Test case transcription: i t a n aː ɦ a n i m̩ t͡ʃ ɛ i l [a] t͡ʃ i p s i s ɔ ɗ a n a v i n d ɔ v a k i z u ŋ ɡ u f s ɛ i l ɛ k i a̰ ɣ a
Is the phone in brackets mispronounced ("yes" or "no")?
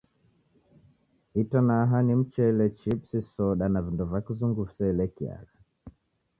yes